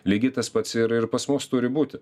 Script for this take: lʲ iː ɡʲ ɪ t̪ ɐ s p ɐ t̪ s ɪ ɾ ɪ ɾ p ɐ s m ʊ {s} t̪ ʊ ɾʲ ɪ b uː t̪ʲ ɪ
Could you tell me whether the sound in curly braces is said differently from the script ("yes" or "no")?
no